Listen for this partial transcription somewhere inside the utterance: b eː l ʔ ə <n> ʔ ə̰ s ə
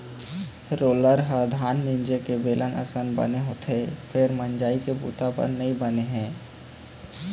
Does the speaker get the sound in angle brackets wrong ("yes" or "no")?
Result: no